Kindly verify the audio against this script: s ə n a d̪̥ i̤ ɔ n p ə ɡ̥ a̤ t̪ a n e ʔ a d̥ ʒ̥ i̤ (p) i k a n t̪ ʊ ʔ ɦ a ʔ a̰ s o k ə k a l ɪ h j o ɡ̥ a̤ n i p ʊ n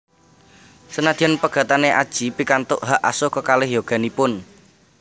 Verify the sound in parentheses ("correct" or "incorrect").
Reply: correct